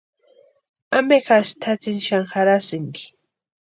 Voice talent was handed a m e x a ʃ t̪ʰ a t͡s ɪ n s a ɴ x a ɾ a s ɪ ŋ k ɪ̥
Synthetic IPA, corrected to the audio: a m e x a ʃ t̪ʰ a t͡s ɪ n ʃ a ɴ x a ɾ a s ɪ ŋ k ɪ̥

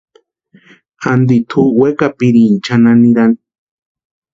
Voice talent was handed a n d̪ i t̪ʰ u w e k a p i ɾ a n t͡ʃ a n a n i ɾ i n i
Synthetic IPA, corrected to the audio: a n d̪ i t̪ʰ u w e k a p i ɾ i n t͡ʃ a n a n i ɾ a n i

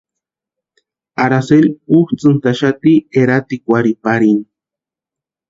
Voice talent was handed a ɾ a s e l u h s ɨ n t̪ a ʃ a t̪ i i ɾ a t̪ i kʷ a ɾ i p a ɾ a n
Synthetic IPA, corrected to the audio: a ɾ a s e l u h t͡s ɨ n t̪ a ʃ a t̪ i e ɾ a t̪ i kʷ a ɾ i p a ɾ i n

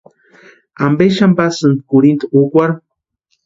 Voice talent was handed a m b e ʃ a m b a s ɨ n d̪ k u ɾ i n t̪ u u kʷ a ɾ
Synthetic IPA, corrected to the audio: a m b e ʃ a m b a s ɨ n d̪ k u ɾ i n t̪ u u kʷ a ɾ

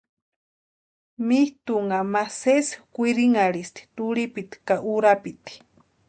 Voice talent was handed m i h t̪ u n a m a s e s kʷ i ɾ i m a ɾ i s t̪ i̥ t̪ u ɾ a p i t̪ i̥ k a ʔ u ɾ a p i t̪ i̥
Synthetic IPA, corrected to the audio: m i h t̪ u ŋ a m a s e s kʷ i ɾ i ŋ a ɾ i s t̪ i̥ t̪ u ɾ i p i t̪ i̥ k a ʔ u ɾ a p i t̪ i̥

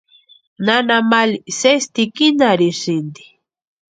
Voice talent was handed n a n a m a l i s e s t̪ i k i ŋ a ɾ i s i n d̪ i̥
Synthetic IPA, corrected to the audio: n a n a m a l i s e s t̪ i k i n a ɾ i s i n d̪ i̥

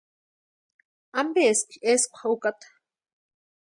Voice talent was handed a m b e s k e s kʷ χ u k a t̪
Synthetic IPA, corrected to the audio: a m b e s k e s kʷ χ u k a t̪

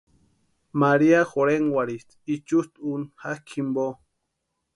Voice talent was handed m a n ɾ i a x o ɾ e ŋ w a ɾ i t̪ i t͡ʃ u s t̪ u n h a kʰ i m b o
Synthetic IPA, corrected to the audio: m a ɾ i a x o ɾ e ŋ w a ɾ i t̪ i t͡ʃ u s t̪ u n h a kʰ i m b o

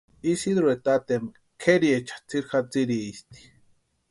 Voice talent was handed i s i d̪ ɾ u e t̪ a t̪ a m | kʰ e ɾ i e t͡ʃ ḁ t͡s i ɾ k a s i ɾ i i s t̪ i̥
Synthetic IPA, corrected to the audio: i s i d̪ ɾ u e t̪ a t̪ e m | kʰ e ɾ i e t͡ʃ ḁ t͡s i ɾ x a t͡s i ɾ i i s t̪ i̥

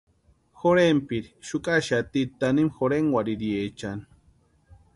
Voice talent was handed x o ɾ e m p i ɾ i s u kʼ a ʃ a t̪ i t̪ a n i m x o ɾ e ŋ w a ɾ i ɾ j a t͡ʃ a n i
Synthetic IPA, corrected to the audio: x o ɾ e m p i ɾ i ʃ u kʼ a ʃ a t̪ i t̪ a n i m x o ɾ e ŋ w a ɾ i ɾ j e t͡ʃ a n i

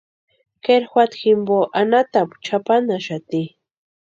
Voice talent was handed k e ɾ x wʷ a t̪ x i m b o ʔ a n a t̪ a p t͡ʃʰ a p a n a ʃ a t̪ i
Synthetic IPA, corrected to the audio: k e ɾ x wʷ a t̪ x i m b o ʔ a n a t̪ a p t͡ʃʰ a p a n a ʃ a t̪ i

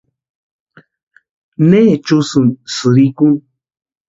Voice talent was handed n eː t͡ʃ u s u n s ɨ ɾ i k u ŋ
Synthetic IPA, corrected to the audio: n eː t͡ʃ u s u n s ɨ ɾ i k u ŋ

